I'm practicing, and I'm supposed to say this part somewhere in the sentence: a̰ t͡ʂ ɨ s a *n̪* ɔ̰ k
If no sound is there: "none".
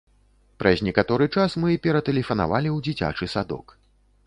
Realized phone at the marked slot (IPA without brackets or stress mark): d̪